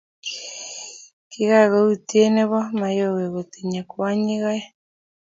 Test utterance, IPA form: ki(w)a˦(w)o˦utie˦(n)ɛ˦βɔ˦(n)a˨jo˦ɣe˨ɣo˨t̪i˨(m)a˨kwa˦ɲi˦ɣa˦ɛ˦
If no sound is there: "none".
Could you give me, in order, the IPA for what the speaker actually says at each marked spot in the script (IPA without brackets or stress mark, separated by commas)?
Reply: ɣ, ɣ, n, m, ɲ